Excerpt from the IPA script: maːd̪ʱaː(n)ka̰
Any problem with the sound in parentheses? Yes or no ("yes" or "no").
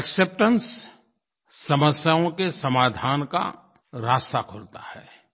no